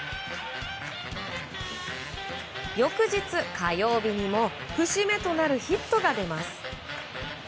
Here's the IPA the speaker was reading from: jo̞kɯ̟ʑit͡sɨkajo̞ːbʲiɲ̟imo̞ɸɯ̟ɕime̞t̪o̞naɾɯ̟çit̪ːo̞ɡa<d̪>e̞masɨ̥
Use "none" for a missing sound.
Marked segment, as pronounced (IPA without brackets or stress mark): d̪